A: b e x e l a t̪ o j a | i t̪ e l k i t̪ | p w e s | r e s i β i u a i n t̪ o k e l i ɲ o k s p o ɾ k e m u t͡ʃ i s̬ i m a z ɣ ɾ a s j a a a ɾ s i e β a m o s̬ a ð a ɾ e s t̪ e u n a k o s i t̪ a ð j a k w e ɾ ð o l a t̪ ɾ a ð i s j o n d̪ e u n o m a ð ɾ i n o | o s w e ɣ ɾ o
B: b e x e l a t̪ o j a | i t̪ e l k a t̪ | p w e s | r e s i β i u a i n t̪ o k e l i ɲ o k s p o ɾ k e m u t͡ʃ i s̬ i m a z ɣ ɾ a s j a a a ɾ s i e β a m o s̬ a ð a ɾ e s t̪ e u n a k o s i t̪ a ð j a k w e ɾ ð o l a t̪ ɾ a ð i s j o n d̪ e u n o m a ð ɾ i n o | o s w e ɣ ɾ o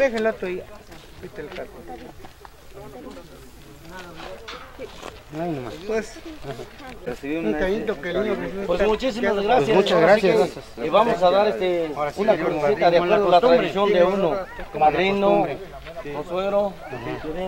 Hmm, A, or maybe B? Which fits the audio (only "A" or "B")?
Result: B